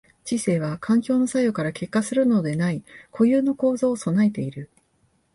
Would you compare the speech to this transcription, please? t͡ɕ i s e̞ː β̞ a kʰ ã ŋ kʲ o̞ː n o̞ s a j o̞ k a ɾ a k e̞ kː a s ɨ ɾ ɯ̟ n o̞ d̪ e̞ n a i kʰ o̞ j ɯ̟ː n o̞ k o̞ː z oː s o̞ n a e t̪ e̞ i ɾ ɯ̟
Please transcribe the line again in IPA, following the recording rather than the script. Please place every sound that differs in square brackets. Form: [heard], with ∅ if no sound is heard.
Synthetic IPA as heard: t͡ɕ i s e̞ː β̞ a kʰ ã ŋ kʲ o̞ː n o̞ s a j o̞ k a ɾ a k e̞ kː a s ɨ ɾ ɯ̟ n o̞ d̪ e̞ n a i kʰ o̞ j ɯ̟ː n o̞ k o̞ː z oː s o̞ n a e t̪ e̞ i ɾ ɯ̟